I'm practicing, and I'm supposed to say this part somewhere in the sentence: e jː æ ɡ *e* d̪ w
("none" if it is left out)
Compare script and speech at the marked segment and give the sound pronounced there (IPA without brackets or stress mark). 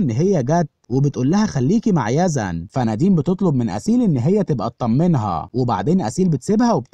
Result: æ